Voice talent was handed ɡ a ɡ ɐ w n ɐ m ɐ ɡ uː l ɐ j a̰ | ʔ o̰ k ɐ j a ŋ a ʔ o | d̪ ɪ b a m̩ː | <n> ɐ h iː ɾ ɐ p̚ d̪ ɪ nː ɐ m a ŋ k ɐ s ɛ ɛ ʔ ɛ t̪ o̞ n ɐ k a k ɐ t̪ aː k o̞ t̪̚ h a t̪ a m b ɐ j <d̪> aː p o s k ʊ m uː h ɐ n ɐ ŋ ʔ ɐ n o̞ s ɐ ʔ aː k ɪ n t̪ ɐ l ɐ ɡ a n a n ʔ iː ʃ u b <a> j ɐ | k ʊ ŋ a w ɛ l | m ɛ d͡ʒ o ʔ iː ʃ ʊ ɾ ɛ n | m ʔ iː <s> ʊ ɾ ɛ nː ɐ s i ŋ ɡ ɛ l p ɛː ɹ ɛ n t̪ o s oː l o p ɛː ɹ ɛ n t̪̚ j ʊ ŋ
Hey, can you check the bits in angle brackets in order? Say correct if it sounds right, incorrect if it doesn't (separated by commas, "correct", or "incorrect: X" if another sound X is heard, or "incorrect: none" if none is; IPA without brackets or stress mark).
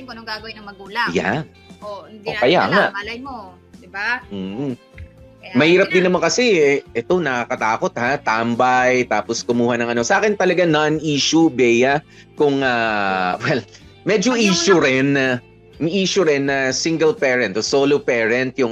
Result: incorrect: m, incorrect: t̪, incorrect: ɛ, incorrect: ʃ